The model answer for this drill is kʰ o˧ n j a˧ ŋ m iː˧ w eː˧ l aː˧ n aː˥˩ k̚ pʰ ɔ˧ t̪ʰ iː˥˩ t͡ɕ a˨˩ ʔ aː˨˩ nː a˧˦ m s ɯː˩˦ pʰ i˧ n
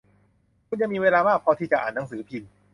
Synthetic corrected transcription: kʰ u˧ n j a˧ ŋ m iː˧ w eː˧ l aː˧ m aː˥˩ k̚ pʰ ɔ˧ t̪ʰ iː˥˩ t͡ɕ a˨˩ ʔ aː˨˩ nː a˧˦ ŋ s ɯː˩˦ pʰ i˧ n